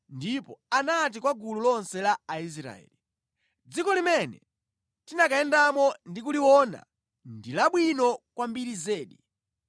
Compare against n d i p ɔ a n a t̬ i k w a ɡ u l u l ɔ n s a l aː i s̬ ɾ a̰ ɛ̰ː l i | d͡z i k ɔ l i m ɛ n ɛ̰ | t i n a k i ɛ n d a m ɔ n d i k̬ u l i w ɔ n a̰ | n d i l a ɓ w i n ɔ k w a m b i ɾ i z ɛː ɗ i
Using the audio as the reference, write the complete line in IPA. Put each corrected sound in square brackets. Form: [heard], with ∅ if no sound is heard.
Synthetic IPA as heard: n d i p ɔ a n a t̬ i k w a ɡ u l u l ɔ n s [ɛ] l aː i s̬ ɾ a̰ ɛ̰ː l i | d͡z i k ɔ l i m ɛ n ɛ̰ | t i n a k [a] ɛ n d a m ɔ n d i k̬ u l i w ɔ n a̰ | n d i l a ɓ w i n ɔ k w a m b i ɾ i z ɛː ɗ i